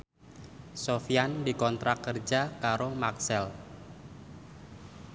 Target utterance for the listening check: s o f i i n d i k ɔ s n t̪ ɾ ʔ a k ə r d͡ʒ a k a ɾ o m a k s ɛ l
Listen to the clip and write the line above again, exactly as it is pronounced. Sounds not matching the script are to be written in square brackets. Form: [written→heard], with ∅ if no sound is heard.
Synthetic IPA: s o f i [i→a] n d i k ɔ [s→∅] n t̪ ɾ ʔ a k ə r d͡ʒ a k a ɾ o m a k s ɛ l